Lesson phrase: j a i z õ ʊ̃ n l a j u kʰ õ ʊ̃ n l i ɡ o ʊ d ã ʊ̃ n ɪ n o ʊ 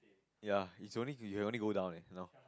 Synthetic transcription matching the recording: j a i s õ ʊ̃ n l i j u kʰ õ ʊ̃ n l i ɡ o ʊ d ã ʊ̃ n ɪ n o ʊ